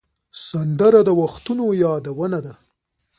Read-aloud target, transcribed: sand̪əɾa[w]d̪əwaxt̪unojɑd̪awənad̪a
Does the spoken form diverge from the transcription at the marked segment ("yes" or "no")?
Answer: yes